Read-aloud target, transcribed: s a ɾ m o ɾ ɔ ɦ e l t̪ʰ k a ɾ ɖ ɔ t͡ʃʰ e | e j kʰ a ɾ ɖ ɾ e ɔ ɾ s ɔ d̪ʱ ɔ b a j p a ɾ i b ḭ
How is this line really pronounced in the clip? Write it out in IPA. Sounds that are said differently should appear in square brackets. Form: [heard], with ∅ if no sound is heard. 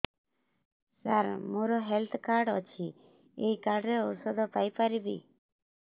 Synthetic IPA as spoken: s a ɾ m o ɾ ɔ ɦ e l t̪ʰ k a ɾ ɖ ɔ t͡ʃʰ [i] | e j [k] a ɾ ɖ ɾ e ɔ ɾ s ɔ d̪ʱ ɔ [p] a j p a ɾ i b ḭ